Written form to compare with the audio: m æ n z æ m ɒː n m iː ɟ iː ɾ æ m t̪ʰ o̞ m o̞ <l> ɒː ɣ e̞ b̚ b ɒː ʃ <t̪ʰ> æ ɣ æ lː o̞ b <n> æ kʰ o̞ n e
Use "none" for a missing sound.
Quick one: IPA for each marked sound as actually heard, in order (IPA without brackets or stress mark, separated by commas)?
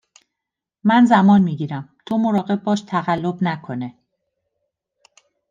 ɾ, t̪ʰ, n